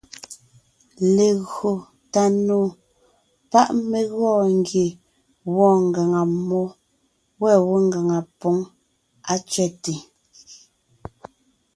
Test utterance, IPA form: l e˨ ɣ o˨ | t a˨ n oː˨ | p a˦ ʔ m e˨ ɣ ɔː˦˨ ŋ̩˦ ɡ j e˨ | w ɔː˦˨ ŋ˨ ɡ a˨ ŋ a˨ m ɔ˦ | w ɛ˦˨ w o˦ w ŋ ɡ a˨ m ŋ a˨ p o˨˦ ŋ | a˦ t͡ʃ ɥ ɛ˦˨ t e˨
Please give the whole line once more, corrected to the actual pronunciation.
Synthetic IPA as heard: l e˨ ɣ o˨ | t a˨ n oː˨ | p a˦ ʔ m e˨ ɣ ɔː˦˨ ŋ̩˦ ɡ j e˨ | w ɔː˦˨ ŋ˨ ɡ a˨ ŋ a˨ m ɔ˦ | w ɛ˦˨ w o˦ ŋ ɡ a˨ ŋ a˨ p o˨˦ ŋ | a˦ t͡ʃ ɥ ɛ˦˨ t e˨